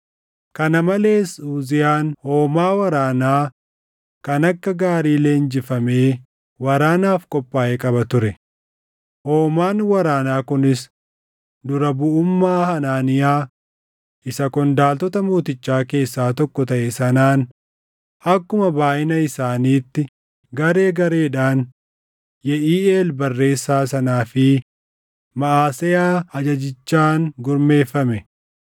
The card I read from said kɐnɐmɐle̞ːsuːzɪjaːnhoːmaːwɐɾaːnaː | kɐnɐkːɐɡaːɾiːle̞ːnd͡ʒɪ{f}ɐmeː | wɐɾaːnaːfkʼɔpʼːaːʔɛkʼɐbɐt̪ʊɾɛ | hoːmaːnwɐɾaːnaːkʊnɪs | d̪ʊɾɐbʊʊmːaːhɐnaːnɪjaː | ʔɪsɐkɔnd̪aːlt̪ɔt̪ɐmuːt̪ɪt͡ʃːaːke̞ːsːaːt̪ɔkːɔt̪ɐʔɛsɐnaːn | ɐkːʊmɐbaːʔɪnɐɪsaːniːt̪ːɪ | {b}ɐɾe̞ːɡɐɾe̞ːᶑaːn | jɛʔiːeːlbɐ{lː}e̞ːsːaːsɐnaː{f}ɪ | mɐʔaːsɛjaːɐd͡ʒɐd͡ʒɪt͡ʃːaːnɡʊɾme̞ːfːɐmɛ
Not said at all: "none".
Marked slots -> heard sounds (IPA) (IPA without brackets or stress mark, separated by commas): f, ɡ, rː, f